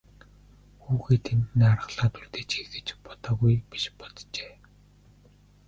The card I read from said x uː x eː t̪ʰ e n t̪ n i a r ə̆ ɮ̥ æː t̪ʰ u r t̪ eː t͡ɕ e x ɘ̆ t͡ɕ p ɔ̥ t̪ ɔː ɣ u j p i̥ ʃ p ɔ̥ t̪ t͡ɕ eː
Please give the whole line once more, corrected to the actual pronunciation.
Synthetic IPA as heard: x uː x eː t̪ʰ e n t̪ n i a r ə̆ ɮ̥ aː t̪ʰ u r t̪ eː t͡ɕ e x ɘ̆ t͡ɕ p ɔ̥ t̪ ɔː ɣ u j p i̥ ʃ p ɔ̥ t̪ t͡ɕ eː